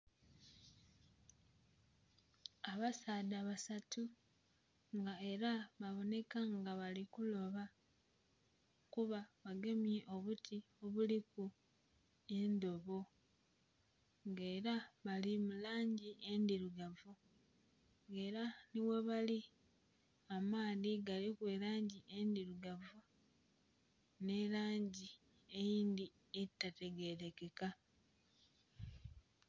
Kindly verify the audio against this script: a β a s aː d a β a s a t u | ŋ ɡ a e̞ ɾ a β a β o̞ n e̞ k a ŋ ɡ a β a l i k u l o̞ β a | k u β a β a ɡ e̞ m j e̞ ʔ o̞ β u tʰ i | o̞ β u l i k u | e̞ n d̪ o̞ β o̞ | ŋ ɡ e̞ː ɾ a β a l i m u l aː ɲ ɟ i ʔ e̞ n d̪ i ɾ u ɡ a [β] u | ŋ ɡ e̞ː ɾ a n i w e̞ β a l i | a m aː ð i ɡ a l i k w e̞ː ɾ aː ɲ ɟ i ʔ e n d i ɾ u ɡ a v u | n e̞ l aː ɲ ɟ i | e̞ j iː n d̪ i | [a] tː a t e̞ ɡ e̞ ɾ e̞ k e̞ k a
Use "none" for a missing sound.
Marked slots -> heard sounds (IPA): v, e

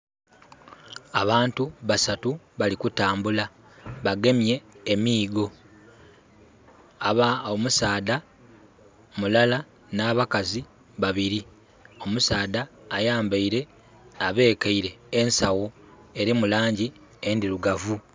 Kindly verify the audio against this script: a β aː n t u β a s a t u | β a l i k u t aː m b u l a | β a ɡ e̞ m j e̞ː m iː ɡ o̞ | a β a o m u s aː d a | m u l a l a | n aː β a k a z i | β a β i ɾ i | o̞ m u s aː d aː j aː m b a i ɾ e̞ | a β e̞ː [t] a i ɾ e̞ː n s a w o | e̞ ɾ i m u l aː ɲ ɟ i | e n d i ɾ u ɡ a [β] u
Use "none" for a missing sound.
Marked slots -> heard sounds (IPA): k, v

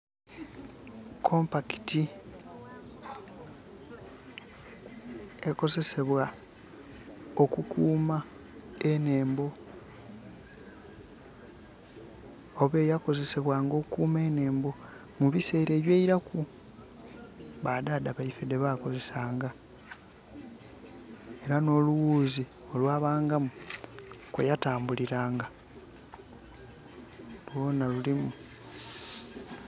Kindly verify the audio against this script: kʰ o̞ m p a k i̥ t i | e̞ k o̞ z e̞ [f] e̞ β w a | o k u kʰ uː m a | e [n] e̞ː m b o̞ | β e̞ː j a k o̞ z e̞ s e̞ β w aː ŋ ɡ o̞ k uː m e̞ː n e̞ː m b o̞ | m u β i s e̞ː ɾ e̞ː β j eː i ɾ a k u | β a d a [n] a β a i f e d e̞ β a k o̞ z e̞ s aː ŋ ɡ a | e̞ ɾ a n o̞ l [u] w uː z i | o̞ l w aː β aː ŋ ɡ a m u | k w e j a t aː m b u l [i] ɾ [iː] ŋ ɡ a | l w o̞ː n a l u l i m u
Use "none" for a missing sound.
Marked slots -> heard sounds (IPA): s, n, d, u, i, aː

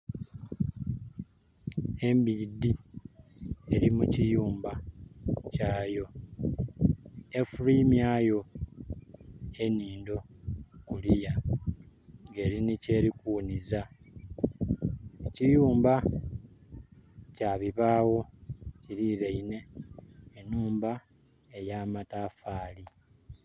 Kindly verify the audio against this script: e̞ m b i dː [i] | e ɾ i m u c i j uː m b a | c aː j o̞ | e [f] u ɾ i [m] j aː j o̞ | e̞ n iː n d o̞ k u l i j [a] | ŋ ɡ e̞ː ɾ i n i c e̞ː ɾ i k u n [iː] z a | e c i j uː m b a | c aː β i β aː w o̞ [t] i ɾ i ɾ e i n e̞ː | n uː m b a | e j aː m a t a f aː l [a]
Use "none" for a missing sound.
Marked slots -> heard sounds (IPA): i, f, m, a, i, c, i

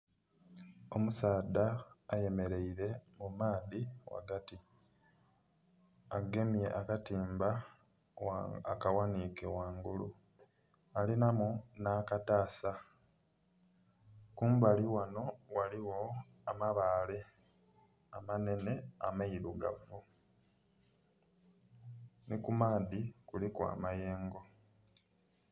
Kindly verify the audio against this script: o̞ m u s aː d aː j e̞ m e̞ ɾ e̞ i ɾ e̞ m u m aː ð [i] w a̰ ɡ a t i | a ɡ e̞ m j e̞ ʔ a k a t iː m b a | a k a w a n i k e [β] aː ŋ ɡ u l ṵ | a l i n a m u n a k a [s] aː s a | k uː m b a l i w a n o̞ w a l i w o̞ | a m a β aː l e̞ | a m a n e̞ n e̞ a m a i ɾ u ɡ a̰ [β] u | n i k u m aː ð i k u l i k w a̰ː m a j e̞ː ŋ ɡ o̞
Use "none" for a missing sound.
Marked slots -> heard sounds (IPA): i, w, t, v

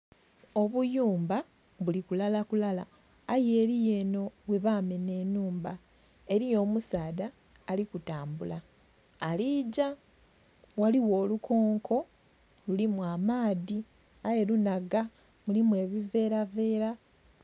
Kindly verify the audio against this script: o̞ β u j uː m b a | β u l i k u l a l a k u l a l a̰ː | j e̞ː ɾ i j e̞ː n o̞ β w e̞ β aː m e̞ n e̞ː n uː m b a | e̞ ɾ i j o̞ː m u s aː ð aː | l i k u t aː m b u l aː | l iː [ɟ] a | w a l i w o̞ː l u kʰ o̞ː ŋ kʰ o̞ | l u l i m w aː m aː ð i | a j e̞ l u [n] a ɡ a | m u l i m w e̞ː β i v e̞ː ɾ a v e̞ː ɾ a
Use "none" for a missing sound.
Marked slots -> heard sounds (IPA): ɟ, n

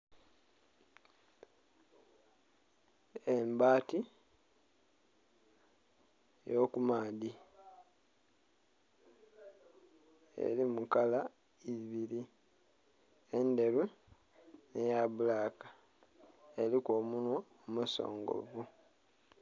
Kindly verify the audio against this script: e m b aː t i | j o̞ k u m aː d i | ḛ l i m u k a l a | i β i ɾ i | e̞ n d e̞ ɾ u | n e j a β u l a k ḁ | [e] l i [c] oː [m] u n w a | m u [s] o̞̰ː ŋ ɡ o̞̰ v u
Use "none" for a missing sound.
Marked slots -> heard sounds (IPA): e, k, m, s

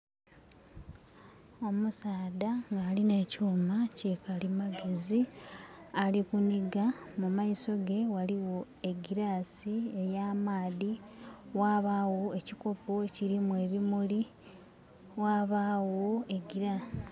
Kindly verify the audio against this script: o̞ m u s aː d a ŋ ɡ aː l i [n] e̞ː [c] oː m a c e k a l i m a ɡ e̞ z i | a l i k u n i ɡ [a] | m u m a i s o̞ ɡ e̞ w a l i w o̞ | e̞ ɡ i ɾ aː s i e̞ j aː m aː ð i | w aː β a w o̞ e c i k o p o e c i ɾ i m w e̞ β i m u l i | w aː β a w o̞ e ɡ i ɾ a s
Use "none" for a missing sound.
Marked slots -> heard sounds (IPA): n, c, a

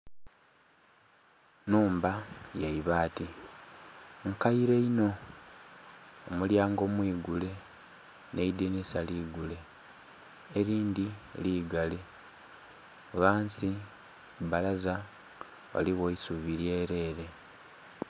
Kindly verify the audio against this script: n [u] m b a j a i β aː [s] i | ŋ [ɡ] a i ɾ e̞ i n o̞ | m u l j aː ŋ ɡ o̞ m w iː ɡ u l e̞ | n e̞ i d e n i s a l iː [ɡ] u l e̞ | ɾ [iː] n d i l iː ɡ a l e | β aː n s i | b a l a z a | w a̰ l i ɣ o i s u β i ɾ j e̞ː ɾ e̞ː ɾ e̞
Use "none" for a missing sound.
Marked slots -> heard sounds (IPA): uː, t, k, ɡ, iː

